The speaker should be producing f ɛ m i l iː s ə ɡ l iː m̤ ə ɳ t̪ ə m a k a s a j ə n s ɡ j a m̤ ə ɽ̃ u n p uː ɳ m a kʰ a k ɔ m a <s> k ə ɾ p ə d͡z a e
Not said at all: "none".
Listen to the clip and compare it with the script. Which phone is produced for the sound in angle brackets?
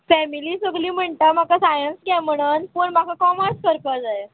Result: s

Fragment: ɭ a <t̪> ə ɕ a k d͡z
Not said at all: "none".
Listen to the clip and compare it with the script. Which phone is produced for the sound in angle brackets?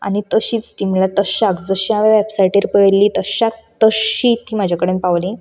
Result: t̪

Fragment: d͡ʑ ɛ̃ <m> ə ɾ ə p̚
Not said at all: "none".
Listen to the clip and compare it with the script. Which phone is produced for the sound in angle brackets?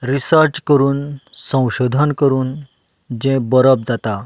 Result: b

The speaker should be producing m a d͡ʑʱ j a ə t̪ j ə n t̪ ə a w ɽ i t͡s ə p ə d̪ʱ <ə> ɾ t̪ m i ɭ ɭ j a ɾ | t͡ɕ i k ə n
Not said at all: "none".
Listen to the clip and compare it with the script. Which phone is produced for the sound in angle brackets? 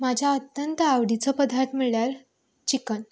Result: a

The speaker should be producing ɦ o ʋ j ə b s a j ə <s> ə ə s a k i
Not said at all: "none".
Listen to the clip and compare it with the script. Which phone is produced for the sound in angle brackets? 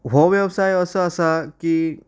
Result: s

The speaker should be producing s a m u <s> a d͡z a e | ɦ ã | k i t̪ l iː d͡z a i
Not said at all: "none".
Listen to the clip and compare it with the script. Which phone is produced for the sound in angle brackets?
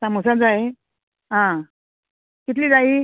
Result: s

